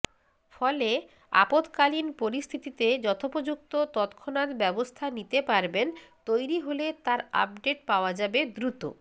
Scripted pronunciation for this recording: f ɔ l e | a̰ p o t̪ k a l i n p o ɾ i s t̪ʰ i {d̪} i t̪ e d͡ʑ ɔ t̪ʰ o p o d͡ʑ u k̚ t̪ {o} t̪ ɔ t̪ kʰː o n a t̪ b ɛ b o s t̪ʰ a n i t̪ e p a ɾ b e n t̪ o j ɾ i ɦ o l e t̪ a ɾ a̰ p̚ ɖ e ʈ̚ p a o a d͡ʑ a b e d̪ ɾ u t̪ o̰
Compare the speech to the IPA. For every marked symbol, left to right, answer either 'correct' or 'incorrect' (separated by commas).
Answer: incorrect, correct